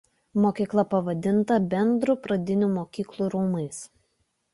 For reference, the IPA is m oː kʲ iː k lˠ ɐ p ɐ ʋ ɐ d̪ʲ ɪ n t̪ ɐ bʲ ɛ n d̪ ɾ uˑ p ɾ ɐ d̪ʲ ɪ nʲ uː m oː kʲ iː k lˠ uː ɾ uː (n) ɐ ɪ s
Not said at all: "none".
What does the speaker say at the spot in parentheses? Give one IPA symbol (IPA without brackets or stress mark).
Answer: m